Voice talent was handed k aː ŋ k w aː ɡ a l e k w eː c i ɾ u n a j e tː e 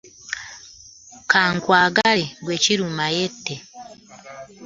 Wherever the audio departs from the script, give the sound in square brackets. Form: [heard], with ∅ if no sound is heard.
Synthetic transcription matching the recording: k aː ŋ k w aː ɡ a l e [ɡ] w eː c i ɾ u [m] a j e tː e